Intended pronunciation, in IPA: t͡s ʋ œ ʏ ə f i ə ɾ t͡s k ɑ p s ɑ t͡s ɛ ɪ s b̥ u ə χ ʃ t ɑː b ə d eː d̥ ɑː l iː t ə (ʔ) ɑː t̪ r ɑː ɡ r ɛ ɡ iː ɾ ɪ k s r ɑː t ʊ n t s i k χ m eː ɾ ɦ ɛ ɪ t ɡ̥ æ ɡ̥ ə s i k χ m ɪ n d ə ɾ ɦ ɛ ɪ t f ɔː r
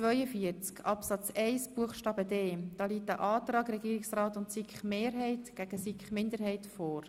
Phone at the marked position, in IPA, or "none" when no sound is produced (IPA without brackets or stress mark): ʔ